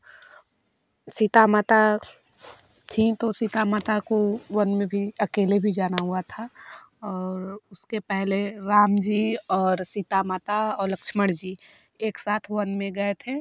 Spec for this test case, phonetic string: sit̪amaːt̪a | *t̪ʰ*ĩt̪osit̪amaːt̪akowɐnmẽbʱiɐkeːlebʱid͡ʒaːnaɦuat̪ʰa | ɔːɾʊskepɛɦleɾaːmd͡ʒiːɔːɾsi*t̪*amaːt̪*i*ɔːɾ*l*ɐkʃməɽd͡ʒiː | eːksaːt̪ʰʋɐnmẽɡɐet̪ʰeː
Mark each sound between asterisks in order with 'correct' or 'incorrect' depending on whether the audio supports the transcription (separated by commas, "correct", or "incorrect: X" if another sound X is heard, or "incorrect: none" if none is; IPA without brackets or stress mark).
correct, correct, incorrect: a, correct